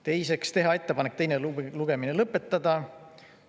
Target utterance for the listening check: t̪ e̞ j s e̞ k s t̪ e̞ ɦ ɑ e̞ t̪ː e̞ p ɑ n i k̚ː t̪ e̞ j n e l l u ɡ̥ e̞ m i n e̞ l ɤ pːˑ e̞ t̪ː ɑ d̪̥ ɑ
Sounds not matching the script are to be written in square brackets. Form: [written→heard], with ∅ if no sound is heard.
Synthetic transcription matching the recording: t̪ e̞ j s e̞ k s t̪ e̞ ɦ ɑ e̞ t̪ː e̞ p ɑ n [i→e] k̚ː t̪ e̞ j n e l l u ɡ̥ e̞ m i n e̞ l ɤ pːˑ e̞ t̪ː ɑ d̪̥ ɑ

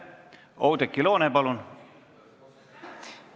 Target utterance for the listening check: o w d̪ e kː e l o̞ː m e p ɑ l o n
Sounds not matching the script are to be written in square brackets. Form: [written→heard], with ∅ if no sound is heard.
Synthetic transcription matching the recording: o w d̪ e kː [e→i] l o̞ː [m→n] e p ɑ l [o→u] n

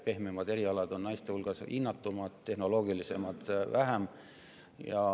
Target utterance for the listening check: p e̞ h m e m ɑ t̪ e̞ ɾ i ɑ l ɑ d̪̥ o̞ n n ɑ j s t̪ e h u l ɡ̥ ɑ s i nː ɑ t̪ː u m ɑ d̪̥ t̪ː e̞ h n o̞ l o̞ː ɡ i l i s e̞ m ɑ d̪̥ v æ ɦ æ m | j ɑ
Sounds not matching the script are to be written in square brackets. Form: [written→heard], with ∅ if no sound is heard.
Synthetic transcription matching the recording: p e̞ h m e m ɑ [t̪→d̪] e̞ ɾ i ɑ l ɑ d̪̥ o̞ n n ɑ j s t̪ e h u l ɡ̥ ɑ s i nː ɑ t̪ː u m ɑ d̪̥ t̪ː e̞ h n o̞ l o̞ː ɡ i l i s e̞ m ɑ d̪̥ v æ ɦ æ m | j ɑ

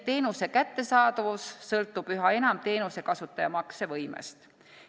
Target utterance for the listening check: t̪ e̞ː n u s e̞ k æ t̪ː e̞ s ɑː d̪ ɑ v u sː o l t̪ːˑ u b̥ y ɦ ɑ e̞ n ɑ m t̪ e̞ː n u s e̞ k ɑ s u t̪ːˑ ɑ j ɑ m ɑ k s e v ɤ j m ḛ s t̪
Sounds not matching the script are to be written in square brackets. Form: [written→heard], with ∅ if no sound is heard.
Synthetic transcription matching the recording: t̪ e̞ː n u s e̞ k æ t̪ː e̞ s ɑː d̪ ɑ v u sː [o→ɤ] l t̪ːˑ u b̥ y ɦ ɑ e̞ n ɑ m t̪ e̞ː n u s e̞ k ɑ s u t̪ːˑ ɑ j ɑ m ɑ k s e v ɤ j m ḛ s t̪

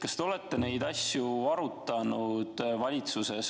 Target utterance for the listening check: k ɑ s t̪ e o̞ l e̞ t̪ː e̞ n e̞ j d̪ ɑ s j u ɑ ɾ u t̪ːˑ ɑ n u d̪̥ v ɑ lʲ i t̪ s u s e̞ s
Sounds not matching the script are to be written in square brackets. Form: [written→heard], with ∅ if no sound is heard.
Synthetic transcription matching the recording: k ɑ s t̪ e o̞ l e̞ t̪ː e̞ n e̞ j d̪ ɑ s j u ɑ ɾ u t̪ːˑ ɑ n u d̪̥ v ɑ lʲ i t̪ s u s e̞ s

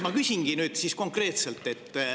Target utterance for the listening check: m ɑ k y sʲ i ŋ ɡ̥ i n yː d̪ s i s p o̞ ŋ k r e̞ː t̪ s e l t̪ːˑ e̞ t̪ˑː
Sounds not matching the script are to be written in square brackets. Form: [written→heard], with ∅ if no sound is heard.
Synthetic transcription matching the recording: m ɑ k y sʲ i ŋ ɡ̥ i n yː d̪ s i s [p→k] o̞ ŋ k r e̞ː t̪ s e l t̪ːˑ e̞ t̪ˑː

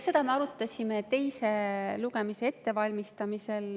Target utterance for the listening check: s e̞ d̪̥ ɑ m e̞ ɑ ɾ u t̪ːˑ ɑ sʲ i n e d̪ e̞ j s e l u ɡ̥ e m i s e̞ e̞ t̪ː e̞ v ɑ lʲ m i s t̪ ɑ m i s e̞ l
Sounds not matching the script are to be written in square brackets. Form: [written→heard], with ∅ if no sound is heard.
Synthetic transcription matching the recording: s e̞ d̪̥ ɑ m e̞ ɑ ɾ u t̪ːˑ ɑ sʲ i [n→m] e [d̪→t̪] e̞ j s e l u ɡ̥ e m i s e̞ e̞ t̪ː e̞ v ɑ lʲ m i s t̪ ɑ m i s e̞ l

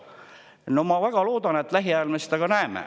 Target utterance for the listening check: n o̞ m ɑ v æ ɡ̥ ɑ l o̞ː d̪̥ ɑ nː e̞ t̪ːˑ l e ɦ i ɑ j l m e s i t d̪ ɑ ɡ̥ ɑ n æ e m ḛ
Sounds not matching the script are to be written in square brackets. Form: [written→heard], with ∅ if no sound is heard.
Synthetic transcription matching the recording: n o̞ m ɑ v æ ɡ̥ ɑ l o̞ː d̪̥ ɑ [nː→n] e̞ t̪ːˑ l [e→æ] ɦ i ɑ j l m e s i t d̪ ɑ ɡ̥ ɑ n æ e m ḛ

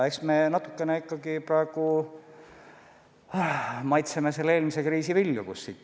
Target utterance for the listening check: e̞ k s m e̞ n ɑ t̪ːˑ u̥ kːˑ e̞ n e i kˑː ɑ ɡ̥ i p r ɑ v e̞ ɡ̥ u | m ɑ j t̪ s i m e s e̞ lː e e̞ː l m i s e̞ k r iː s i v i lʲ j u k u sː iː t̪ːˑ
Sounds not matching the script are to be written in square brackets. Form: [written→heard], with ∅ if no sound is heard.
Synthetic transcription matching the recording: e̞ k s m e̞ n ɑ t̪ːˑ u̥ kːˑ e̞ n e i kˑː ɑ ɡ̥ i p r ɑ [v→∅] e̞ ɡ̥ u | m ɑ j t̪ s [i→e] m e s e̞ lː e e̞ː l m i s e̞ k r iː s i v i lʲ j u k u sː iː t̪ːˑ

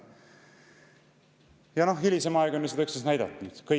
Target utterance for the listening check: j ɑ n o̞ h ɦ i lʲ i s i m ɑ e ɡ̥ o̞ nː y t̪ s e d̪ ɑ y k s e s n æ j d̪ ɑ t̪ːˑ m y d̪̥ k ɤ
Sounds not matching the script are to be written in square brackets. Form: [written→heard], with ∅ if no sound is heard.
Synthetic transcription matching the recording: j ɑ n o̞ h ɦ i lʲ i s [i→e] m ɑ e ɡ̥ o̞ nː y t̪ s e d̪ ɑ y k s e s n æ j d̪ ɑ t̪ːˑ [m→n] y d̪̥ k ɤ

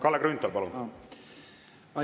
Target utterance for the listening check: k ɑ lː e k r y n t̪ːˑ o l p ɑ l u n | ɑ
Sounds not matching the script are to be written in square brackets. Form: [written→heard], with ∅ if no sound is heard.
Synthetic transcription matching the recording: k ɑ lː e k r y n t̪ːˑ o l p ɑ l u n | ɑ

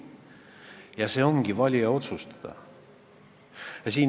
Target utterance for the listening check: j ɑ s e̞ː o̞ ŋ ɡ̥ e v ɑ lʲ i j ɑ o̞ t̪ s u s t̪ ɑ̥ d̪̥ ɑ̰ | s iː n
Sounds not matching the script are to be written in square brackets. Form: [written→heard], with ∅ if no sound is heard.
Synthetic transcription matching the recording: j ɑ s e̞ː o̞ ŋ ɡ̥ [e→i] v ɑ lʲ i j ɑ o̞ t̪ s u s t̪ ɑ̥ d̪̥ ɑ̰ | s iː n

